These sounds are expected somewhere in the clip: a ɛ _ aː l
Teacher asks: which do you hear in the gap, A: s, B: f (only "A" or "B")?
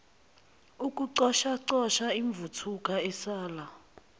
A